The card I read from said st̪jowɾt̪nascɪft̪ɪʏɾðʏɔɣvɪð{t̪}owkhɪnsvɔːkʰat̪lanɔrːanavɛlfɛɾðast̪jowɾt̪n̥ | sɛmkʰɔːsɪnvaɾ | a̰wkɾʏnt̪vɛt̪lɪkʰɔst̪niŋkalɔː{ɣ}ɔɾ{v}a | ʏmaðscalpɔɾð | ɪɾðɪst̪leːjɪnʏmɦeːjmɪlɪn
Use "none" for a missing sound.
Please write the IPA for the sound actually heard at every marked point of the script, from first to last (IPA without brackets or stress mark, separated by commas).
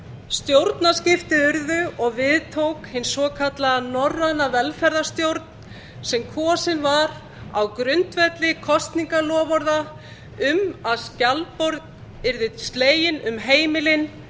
t̪ʰ, v, ð